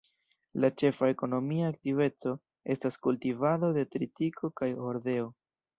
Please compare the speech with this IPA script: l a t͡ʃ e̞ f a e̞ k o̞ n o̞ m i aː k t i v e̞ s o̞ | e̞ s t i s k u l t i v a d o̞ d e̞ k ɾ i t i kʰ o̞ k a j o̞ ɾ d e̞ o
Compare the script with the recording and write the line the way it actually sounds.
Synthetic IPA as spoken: l a t͡ʃ e̞ f a e̞ k o̞ n o̞ m i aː k t i v e̞ t͡s o̞ | e̞ s t a s k u l t i v a d o̞ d e̞ t ɾ i t i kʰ o̞ k a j o̞ ɾ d e̞ o